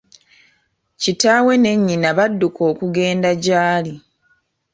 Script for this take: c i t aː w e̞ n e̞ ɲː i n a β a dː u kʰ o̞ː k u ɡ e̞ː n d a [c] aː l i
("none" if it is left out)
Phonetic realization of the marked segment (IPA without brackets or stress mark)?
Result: ɟ